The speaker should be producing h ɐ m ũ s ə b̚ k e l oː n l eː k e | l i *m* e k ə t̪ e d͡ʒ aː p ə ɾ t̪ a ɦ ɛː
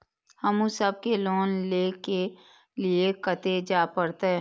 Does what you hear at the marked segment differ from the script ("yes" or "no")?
yes